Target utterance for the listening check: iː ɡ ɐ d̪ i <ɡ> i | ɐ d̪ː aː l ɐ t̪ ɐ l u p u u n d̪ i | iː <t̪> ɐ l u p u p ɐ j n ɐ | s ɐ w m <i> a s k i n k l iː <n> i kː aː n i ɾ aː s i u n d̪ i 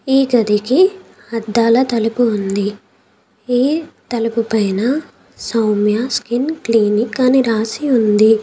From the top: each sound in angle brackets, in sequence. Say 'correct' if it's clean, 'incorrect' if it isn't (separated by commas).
incorrect, correct, incorrect, correct